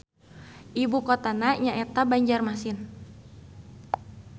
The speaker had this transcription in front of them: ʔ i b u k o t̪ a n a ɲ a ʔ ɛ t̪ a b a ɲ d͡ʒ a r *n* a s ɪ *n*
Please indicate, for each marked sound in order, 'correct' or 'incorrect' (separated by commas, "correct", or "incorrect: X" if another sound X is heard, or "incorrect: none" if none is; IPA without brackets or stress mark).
incorrect: m, correct